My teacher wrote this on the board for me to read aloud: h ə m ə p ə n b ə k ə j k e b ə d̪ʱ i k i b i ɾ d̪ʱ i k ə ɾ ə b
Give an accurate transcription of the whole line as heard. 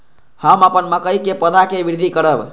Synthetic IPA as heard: h ə m ə p ə n m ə k ə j k e p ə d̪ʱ a k e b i ɾ d̪ʱ i k ə ɾ ə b